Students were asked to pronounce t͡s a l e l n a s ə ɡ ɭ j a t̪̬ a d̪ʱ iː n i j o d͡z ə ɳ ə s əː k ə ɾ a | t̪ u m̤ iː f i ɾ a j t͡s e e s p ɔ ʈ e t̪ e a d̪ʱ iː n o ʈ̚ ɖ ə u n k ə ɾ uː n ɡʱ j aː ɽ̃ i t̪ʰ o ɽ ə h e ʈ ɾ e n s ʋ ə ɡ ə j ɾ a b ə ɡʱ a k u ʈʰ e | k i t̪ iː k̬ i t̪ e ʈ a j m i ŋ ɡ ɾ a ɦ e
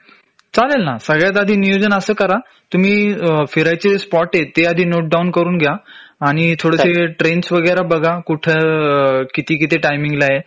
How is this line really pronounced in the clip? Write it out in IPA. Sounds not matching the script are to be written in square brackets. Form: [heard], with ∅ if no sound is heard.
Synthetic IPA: t͡s a l e l n a s ə ɡ ɭ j a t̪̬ a d̪ʱ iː n i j o d͡z ə [n] ə s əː k ə ɾ a | t̪ u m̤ iː f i ɾ a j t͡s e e s p ɔ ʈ e t̪ e a d̪ʱ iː n o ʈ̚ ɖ [a] u n k ə ɾ uː n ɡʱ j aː ɽ̃ i t̪ʰ o ɽ ə [s] e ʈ ɾ e n s ʋ ə ɡ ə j ɾ a b ə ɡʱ a k u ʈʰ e | k i t̪ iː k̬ i t̪ e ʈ a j m i ŋ ɡ [l] a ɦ e